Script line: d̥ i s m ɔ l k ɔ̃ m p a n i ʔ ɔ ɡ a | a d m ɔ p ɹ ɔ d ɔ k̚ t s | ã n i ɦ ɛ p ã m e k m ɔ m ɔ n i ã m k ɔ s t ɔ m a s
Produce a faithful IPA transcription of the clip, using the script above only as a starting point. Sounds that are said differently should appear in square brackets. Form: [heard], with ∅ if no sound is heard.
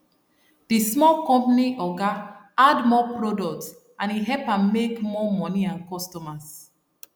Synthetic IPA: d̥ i s m ɔ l k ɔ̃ m p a n i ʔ ɔ ɡ a | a d m ɔ p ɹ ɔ d ɔ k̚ t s | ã n i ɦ ɛ p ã m e k m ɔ m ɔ n i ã [n] k ɔ s t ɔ m a s